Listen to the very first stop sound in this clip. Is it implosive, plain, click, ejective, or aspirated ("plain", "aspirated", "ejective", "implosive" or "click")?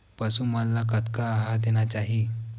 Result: plain